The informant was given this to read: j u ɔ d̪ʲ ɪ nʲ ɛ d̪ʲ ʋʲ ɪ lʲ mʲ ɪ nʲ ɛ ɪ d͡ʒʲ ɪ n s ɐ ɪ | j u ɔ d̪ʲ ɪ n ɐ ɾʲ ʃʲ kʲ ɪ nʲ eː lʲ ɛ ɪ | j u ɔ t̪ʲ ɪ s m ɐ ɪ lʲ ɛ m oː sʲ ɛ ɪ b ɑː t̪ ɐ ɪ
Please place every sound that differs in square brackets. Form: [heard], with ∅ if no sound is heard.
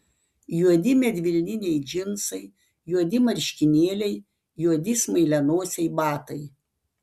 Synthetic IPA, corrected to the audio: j u ɔ d̪ʲ ɪ [mʲ] ɛ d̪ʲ ʋʲ ɪ lʲ [nʲ] ɪ nʲ ɛ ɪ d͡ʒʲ ɪ n s ɐ ɪ | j u ɔ d̪ʲ ɪ [m] ɐ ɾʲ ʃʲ kʲ ɪ nʲ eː lʲ ɛ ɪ | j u ɔ [d̪ʲ] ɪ s m ɐ ɪ lʲ ɛ [n] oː sʲ ɛ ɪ b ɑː t̪ ɐ ɪ